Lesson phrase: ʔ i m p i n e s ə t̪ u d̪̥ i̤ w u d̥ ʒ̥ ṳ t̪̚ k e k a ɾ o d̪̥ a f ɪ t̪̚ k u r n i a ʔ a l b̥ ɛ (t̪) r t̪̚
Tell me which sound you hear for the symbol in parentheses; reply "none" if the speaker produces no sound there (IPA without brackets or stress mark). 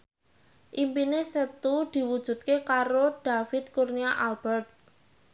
none